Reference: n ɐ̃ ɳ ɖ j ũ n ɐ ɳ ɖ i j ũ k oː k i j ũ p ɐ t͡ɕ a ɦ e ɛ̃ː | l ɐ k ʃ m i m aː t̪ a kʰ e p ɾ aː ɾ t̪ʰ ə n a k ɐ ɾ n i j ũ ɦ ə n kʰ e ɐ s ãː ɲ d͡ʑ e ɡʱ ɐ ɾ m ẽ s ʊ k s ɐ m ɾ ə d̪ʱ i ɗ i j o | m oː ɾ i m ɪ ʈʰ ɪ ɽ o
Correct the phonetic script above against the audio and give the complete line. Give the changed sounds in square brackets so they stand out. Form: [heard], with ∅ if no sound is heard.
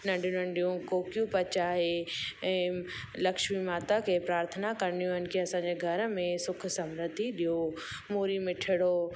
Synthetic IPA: n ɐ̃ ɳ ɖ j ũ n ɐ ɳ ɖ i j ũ k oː k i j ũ p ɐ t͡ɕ a ɦ e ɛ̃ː | l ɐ k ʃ m i m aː t̪ a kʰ e p ɾ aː ɾ t̪ʰ ə n a k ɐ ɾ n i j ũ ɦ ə n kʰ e ɐ s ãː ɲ d͡ʑ e ɡʱ ɐ ɾ m ẽ s ʊ [kʰ] s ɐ m ɾ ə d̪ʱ i ɗ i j o | m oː ɾ i m ɪ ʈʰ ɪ ɽ o

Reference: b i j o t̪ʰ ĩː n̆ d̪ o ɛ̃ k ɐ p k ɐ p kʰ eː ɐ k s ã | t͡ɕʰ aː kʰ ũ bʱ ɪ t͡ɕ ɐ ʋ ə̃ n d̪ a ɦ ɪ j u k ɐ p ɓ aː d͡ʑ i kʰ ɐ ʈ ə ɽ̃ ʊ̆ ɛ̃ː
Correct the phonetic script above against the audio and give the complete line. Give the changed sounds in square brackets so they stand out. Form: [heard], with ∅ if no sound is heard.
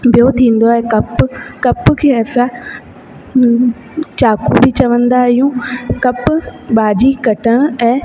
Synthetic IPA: b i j o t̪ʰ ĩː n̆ d̪ o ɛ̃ k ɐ p k ɐ p kʰ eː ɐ [∅] s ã | [t͡ɕ] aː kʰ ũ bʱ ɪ t͡ɕ ɐ ʋ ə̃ n d̪ a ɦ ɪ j [ũ] k ɐ p ɓ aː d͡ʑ i [k] ɐ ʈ ə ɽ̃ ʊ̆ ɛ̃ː

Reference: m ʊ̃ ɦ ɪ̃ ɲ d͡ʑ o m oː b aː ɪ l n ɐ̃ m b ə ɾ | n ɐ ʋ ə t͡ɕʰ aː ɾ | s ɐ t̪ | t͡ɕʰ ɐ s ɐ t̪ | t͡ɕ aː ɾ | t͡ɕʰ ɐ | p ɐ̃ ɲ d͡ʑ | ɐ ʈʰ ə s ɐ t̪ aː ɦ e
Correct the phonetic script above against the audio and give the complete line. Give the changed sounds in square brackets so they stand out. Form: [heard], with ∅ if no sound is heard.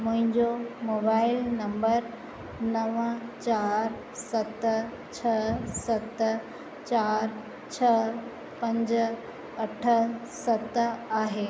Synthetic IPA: m ʊ̃ ɦ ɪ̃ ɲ d͡ʑ o m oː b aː ɪ l n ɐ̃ m b ə ɾ | n ɐ ʋ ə [t͡ɕ] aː ɾ | s ɐ t̪ | t͡ɕʰ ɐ s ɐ t̪ | t͡ɕ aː ɾ | t͡ɕʰ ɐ | p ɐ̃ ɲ d͡ʑ | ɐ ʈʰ ə s ɐ t̪ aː ɦ e

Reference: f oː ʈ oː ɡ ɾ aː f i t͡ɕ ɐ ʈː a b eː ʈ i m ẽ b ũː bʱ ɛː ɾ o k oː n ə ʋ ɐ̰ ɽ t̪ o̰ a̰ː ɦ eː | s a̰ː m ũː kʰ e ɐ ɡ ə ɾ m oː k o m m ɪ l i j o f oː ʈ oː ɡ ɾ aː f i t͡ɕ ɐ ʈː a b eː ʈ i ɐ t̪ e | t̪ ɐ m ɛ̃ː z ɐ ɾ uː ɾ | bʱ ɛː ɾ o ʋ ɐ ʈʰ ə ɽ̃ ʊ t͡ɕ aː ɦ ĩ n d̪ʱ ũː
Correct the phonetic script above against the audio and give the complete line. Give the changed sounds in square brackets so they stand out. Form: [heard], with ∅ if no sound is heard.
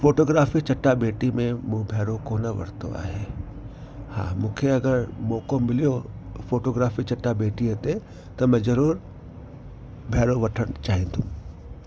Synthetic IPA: f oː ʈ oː ɡ ɾ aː f i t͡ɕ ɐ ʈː a b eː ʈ i m ẽ [m] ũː bʱ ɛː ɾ o k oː n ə ʋ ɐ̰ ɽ t̪ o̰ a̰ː ɦ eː | [h] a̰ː m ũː kʰ e ɐ ɡ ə ɾ m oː k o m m ɪ l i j o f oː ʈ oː ɡ ɾ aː f i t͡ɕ ɐ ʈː a b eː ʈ i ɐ t̪ e | t̪ ɐ m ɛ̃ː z ɐ ɾ uː ɾ | bʱ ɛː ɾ o ʋ ɐ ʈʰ ə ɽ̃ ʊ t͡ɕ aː ɦ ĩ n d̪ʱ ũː

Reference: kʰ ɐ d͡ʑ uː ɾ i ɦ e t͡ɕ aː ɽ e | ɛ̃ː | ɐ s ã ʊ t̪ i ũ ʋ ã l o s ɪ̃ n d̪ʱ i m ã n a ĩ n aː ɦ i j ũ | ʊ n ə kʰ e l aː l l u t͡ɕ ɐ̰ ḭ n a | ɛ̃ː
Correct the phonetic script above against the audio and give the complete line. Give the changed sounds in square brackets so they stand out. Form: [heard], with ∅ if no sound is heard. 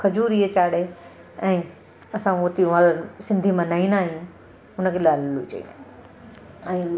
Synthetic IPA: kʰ ɐ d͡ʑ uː ɾ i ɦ e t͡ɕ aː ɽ e | ɛ̃ː | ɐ s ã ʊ t̪ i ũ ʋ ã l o s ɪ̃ n d̪ʱ i m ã n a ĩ n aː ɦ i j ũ | ʊ n ə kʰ e l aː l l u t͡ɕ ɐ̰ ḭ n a | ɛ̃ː

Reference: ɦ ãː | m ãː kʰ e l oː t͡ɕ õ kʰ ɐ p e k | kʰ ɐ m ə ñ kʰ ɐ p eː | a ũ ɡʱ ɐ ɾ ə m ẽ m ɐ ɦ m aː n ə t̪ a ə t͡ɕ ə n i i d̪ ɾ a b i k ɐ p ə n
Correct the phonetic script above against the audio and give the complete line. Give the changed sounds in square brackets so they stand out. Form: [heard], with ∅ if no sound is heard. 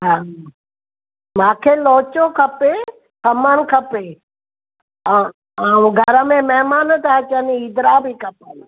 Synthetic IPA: ɦ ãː | m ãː kʰ e l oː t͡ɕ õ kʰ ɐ p e [∅] | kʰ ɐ m ə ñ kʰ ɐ p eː | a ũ ɡʱ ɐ ɾ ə m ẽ m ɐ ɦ m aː n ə t̪ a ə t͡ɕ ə n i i d̪ ɾ a b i k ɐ p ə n

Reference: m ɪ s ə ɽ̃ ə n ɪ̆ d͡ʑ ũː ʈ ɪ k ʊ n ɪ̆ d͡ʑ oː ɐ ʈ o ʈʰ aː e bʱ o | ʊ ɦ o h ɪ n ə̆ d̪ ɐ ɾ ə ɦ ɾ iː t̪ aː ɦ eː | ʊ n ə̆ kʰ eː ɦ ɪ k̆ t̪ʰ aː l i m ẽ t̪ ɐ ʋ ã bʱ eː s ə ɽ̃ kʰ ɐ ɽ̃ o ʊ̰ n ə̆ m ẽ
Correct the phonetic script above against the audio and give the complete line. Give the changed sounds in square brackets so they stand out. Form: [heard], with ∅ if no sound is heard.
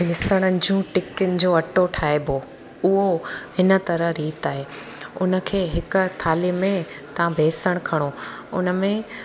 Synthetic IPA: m ɪ s ə ɽ̃ ə n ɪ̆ d͡ʑ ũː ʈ ɪ k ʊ n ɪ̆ d͡ʑ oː ɐ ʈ o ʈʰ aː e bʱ o | ʊ ɦ o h ɪ n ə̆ [t̪] ɐ ɾ ə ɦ ɾ iː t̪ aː ɦ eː | ʊ n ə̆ kʰ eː ɦ ɪ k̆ t̪ʰ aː l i m ẽ t̪ ɐ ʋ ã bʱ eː s ə ɽ̃ kʰ ɐ ɽ̃ o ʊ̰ n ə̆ m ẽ

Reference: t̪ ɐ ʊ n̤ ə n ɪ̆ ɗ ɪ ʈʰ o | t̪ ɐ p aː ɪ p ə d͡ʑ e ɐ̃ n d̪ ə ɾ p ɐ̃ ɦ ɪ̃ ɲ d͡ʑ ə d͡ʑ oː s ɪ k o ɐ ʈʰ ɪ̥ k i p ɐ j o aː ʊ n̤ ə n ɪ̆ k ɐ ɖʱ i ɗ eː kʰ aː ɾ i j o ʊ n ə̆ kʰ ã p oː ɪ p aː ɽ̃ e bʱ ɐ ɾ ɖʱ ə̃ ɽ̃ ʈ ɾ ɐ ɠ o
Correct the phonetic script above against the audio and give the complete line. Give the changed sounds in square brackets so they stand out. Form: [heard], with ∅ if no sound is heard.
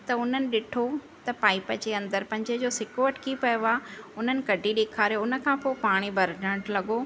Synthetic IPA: t̪ ɐ ʊ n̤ ə n ɪ̆ ɗ ɪ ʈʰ o | t̪ ɐ p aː ɪ p ə d͡ʑ e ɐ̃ n d̪ ə ɾ p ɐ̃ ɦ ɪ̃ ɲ d͡ʑ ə d͡ʑ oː s ɪ k o ɐ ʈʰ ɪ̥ k i p ɐ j o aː ʊ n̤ ə n ɪ̆ k ɐ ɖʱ i ɗ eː kʰ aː ɾ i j o ʊ n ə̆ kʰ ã p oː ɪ p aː ɽ̃ [i] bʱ ɐ ɾ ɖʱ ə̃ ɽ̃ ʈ [l] ɐ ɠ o

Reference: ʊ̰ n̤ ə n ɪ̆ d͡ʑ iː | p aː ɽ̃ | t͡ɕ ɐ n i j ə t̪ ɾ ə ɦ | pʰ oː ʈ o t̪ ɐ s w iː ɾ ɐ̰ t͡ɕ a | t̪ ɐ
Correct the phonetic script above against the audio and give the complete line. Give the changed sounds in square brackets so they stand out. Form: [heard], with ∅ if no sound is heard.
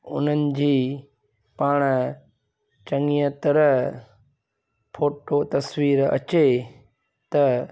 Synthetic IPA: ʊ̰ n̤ ə n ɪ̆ d͡ʑ iː | p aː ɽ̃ | t͡ɕ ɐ [ŋ] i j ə t̪ ɾ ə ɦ | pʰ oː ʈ o t̪ ɐ s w iː ɾ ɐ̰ t͡ɕ [e] | t̪ ɐ

